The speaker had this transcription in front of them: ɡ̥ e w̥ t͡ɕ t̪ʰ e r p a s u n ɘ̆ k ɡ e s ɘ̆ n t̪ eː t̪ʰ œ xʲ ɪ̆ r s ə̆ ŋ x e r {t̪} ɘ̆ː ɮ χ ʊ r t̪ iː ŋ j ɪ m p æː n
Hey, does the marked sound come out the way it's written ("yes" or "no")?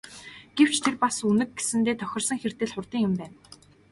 yes